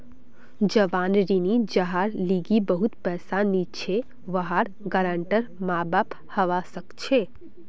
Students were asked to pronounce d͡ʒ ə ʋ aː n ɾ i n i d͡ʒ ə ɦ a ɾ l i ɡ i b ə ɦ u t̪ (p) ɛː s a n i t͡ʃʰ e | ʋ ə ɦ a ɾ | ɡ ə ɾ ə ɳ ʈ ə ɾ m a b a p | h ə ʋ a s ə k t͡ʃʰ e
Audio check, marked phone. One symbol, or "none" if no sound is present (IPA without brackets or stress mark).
p